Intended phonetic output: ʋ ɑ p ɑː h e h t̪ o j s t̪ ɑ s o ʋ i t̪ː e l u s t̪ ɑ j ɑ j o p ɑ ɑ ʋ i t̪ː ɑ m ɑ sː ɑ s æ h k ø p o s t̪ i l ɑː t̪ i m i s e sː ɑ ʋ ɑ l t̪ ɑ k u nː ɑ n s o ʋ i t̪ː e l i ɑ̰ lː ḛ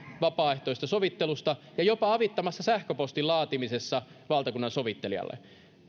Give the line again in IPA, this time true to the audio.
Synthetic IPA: ʋ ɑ p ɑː e h t̪ o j s t̪ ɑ s o ʋ i t̪ː e l u s t̪ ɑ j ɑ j o p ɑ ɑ ʋ i t̪ː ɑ m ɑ sː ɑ s æ h k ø p o s t̪ i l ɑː t̪ i m i s e sː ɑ ʋ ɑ l t̪ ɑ k u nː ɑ n s o ʋ i t̪ː e l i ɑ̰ lː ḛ